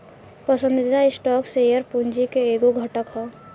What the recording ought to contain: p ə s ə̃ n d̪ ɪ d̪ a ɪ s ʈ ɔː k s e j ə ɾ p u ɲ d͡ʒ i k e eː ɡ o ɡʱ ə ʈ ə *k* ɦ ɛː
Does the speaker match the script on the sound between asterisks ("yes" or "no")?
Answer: yes